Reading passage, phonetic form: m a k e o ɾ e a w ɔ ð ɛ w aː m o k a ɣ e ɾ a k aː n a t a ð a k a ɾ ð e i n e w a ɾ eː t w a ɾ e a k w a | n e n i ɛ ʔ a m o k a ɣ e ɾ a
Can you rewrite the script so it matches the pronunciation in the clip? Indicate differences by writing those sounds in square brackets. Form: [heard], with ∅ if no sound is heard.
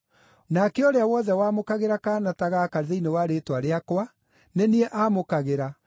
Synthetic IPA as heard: [n] a k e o ɾ e a w ɔ ð ɛ w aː m o k a ɣ e ɾ a k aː n a t a [ɣ] a k a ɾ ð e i n e w a ɾ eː t w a ɾ e a k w a | n e n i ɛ ʔ a m o k a ɣ e ɾ a